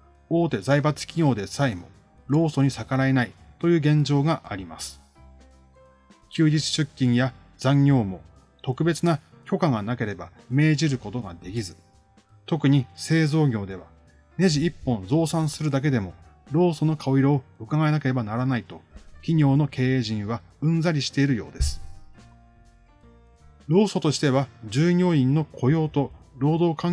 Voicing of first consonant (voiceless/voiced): voiceless